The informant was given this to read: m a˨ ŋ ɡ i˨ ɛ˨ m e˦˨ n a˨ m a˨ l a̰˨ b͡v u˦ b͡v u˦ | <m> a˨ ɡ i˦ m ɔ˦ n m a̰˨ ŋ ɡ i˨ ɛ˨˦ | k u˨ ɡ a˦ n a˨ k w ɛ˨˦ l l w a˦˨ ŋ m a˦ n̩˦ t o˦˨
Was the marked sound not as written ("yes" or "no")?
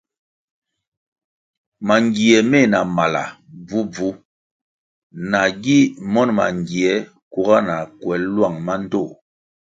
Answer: yes